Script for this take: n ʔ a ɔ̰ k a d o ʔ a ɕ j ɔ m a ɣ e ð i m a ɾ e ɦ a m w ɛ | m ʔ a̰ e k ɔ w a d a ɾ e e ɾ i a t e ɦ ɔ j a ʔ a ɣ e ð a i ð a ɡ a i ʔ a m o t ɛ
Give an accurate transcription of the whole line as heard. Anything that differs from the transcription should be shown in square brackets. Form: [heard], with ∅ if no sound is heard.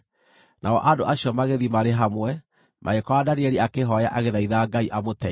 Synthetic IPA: n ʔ a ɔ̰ [ʔ] a d o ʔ a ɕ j ɔ m a ɣ e ð i m a ɾ e ɦ a m w ɛ | m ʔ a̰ e k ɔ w a d a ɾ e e ɾ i a [k] e ɦ ɔ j a ʔ a ɣ e ð a i ð a ɡ a i ʔ a m o t ɛ